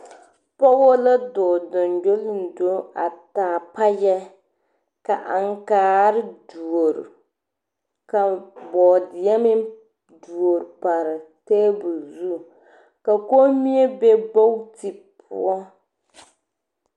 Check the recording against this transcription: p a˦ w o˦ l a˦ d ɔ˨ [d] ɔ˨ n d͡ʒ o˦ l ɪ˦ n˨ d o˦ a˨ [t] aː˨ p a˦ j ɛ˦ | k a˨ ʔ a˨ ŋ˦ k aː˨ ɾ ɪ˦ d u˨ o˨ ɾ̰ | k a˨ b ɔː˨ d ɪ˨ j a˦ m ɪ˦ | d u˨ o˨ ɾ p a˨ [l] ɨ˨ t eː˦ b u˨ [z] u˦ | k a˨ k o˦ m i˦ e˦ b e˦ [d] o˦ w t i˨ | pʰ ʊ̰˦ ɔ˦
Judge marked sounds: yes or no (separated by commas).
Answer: yes, yes, no, yes, no